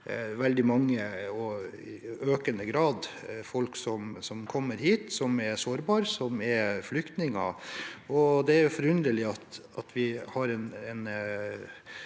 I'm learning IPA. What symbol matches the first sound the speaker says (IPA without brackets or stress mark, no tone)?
ʋ